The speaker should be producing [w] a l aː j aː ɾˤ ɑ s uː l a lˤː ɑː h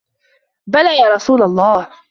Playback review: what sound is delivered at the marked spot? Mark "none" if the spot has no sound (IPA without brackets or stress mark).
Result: b